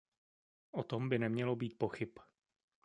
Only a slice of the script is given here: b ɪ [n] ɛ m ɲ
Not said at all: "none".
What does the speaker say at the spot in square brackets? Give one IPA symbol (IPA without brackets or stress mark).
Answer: n